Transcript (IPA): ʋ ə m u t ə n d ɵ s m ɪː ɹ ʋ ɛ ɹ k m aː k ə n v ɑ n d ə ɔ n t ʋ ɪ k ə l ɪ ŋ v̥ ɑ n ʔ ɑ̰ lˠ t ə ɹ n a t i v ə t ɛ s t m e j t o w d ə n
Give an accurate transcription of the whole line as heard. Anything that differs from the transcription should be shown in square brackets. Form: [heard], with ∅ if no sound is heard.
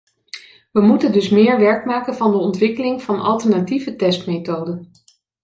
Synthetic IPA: ʋ ə m u t ə n d ɵ s m ɪː ɹ ʋ ɛ ɹ k m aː k ə n v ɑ n d ə ɔ n t ʋ ɪ k ə l ɪ ŋ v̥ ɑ n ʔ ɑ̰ lˠ t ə ɹ n a t i v ə t ɛ s t m e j t o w d ə n